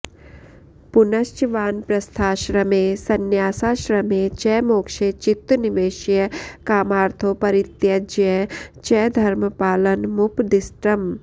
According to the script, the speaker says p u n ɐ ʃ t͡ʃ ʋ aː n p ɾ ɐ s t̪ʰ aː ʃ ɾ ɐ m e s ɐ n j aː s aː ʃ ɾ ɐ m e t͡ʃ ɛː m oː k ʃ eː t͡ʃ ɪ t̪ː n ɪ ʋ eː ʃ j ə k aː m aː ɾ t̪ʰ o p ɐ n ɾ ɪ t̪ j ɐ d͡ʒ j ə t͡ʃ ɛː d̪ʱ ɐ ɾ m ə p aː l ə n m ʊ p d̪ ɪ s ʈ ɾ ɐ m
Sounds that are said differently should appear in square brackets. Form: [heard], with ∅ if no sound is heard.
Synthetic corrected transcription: p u n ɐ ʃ t͡ʃ ʋ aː n p ɾ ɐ s t̪ʰ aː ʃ ɾ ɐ m e s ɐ n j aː s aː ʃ ɾ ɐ m e t͡ʃ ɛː m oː k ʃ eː t͡ʃ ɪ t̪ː n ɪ ʋ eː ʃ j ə k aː m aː ɾ t̪ʰ o p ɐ [∅] ɾ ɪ t̪ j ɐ d͡ʒ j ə t͡ʃ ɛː d̪ʱ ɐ ɾ m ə p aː l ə n m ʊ p d̪ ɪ s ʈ ɾ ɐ m